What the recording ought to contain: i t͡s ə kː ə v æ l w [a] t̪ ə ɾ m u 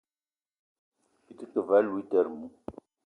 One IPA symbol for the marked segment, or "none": i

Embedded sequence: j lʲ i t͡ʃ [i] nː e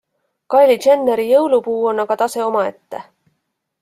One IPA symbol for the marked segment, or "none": e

